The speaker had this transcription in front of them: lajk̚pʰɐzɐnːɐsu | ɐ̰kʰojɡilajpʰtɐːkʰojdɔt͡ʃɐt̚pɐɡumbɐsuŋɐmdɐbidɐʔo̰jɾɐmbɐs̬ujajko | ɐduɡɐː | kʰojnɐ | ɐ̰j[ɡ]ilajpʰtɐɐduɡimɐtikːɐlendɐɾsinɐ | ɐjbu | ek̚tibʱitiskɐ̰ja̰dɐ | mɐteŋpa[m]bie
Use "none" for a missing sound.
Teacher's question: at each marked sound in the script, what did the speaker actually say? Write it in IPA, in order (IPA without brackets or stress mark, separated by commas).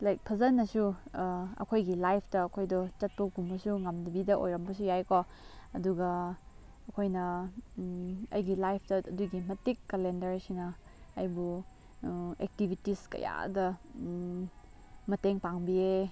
ɡ, ŋ